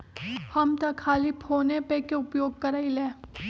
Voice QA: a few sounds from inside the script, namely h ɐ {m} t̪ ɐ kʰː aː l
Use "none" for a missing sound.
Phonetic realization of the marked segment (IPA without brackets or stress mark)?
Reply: m